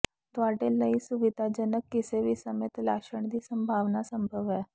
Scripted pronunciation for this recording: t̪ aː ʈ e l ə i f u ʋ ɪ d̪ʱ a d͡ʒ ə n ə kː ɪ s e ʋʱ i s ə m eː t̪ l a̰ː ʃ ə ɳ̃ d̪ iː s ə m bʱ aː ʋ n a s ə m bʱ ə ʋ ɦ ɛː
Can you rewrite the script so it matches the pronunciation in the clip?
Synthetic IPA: t̪ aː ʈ e l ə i s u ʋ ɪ d̪ʱ a d͡ʒ ə n ə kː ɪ s e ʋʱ i s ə m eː t̪ l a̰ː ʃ ə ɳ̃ d̪ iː s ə m bʱ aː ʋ n a s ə m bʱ ə ʋ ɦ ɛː